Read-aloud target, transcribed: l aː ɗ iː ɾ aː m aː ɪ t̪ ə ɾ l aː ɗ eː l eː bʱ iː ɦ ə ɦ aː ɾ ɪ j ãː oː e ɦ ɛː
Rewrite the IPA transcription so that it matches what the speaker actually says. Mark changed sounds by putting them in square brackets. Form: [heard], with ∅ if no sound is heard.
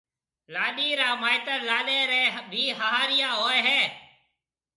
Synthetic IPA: l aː ɗ iː ɾ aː m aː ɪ t̪ ə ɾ l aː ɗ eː [ɾ] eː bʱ iː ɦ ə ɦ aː ɾ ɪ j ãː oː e ɦ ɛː